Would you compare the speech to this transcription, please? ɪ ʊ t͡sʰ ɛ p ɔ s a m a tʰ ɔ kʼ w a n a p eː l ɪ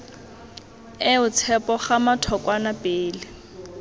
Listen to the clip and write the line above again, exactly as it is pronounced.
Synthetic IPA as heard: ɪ ʊ t͡sʰ ɛ p ɔ χ a m a tʰ ɔ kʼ w a n a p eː l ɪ